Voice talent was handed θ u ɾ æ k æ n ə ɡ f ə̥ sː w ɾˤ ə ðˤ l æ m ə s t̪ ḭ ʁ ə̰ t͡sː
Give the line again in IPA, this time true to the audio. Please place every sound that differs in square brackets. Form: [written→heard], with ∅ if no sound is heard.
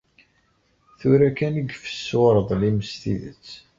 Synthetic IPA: θ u ɾ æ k æ n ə ɡ f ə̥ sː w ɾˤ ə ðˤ l [æ→i] m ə s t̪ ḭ [ʁ→ð] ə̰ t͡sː